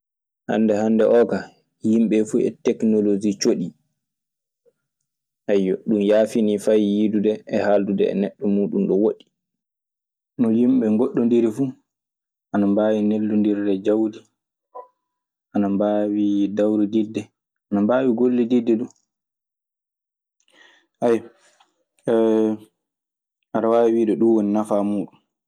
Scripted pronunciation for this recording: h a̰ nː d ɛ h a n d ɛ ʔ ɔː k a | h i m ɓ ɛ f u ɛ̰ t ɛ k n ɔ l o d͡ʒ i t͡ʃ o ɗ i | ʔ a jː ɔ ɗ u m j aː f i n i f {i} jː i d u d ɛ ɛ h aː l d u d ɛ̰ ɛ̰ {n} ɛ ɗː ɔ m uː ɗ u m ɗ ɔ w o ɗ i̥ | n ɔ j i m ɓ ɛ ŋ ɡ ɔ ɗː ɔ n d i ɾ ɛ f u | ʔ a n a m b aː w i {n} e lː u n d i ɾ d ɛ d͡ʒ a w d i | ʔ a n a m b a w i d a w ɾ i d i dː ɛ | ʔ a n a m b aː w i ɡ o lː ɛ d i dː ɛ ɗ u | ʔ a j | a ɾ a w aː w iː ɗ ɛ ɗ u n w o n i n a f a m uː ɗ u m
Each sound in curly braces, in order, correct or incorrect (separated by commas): incorrect, correct, correct